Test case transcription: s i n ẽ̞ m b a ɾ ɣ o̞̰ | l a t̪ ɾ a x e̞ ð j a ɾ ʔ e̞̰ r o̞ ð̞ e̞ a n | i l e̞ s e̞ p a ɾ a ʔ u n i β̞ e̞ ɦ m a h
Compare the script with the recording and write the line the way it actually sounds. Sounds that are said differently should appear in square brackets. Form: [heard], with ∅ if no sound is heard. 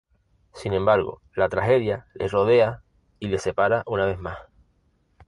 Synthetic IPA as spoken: s i n ẽ̞ m b a ɾ ɣ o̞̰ | l a t̪ ɾ a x e̞ ð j a [l] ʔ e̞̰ r o̞ ð̞ e̞ a [∅] | i l e̞ s e̞ p a ɾ a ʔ u n [a] β̞ e̞ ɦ m a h